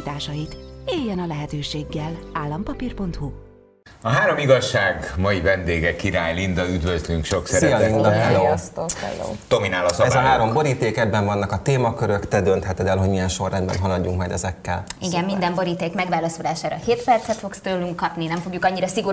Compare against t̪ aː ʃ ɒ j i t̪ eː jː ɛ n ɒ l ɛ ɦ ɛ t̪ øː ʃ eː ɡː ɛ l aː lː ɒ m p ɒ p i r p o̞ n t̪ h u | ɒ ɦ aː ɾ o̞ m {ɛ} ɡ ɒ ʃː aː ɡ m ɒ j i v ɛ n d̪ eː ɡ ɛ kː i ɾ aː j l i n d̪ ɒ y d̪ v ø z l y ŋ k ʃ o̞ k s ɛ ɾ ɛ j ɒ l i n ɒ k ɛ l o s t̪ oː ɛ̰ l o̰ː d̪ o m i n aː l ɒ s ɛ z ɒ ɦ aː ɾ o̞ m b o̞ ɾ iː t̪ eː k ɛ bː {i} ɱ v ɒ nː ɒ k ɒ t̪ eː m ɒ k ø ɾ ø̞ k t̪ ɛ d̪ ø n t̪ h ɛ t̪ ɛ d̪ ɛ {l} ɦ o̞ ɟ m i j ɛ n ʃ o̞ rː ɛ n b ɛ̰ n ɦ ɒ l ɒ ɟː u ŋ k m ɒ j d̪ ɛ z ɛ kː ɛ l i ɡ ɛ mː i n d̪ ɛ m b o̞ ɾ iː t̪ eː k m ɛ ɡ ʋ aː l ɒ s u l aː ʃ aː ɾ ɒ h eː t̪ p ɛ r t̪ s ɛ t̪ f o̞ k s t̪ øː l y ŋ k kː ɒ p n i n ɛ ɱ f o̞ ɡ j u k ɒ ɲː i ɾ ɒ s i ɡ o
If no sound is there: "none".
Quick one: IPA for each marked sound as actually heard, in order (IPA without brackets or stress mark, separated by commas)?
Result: i, ɛ, l